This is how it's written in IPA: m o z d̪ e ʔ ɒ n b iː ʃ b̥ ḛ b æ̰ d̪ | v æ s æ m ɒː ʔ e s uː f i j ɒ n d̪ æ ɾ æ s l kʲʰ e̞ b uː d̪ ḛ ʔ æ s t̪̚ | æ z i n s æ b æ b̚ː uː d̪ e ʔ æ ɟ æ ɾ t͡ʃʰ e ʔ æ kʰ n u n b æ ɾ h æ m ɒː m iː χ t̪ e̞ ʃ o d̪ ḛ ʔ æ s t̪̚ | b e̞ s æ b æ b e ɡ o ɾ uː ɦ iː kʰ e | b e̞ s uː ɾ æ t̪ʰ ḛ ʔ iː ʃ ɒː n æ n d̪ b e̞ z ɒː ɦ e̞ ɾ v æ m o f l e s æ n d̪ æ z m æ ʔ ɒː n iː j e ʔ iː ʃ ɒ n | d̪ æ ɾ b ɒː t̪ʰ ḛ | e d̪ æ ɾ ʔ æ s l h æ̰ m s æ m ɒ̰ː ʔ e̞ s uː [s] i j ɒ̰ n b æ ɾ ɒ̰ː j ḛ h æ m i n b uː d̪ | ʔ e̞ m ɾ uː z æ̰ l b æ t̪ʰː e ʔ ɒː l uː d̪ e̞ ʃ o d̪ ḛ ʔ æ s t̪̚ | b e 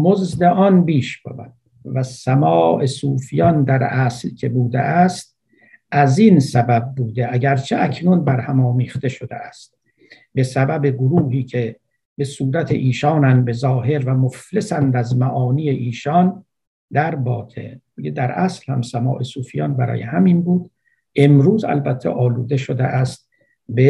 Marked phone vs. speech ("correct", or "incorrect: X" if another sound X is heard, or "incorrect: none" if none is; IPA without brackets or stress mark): incorrect: f